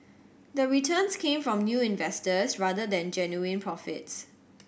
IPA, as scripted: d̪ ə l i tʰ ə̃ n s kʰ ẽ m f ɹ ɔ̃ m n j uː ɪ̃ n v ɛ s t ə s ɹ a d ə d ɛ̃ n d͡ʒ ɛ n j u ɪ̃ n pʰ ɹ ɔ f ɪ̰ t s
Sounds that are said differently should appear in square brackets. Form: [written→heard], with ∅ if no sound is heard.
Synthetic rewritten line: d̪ ə [l→ɹ] i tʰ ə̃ n s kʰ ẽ m f ɹ ɔ̃ m n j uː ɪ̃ n v ɛ s t ə s ɹ a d ə d ɛ̃ n d͡ʒ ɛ n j u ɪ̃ n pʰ ɹ ɔ f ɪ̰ t s